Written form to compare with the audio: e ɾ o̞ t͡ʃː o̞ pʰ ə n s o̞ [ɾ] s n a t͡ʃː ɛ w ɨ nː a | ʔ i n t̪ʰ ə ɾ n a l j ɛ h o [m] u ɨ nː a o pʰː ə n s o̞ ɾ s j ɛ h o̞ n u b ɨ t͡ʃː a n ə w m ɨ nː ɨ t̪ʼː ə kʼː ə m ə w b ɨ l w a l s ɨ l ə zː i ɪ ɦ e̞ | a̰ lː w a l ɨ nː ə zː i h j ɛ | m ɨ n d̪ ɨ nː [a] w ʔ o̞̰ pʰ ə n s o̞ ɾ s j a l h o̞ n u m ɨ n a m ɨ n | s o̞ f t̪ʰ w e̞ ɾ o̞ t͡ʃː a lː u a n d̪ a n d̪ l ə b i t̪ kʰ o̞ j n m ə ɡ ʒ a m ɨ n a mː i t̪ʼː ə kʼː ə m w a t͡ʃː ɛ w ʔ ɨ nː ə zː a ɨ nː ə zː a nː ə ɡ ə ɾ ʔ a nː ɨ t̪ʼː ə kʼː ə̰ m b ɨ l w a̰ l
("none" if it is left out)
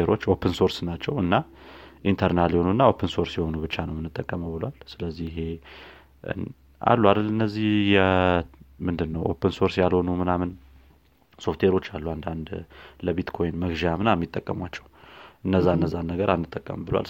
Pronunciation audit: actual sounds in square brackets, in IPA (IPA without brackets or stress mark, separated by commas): ɾ, n, ə